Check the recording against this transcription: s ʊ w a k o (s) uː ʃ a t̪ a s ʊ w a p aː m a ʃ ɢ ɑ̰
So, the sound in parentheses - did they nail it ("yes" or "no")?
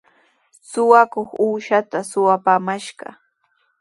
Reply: no